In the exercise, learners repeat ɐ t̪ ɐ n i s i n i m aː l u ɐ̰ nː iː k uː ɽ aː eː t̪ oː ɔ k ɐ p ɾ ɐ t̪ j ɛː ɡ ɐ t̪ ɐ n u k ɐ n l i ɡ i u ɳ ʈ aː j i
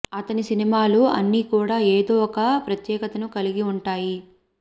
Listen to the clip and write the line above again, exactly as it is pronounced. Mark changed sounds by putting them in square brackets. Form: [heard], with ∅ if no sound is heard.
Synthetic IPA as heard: ɐ t̪ ɐ n i s i n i m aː l u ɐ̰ nː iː k uː ɽ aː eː [d̪] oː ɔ k ɐ p ɾ ɐ t̪ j ɛː [k] ɐ t̪ ɐ n u k ɐ [∅] l i ɡ i u ɳ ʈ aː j i